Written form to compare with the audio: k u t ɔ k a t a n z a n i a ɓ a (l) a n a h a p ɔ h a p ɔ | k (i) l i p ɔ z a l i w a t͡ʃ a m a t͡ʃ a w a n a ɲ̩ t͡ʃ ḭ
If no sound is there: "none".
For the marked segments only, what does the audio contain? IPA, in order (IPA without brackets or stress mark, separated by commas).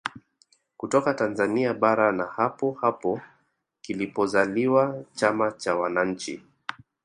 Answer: ɾ, i